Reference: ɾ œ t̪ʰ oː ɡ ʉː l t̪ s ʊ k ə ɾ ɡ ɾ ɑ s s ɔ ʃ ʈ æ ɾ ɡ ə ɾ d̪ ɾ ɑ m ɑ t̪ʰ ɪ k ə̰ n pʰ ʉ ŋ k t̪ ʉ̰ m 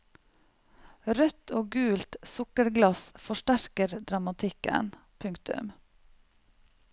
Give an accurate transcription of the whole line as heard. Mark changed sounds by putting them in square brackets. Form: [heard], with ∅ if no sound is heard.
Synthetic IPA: ɾ œ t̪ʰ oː ɡ ʉː l t̪ s ʊ k ə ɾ ɡ [l] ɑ s [f] ɔ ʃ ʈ æ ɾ [k] ə ɾ d̪ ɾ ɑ m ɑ t̪ʰ ɪ k ə̰ n pʰ ʉ ŋ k t̪ ʉ̰ m